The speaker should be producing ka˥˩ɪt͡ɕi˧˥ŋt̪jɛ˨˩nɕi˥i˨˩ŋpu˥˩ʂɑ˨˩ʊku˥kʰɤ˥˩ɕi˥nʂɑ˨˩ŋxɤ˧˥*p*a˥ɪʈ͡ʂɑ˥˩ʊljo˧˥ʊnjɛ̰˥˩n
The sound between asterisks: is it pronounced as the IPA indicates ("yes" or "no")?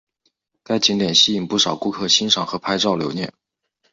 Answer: no